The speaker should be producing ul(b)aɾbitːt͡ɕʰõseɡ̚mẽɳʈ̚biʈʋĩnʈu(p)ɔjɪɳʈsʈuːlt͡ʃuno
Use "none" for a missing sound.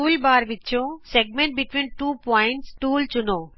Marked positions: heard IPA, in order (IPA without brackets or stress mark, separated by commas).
b, p